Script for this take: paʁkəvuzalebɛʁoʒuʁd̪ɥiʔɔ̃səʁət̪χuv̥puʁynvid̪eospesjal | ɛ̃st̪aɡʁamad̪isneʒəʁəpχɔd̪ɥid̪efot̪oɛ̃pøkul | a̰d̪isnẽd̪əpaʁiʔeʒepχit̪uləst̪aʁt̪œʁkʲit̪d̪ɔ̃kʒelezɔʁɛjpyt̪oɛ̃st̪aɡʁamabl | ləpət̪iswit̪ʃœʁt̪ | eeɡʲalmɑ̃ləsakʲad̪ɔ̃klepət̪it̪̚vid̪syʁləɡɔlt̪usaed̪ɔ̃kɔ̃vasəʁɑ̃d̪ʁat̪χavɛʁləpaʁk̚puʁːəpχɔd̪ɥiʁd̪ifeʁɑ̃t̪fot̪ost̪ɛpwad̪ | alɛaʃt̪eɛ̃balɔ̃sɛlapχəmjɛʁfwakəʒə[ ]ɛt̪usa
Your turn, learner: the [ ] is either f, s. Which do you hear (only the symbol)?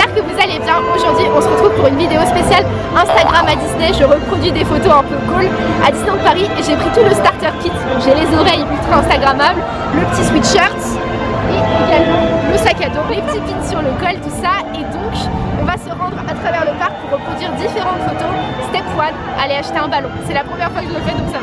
f